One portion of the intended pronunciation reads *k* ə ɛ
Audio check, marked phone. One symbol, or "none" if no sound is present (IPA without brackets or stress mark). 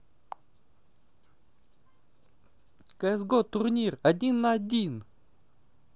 k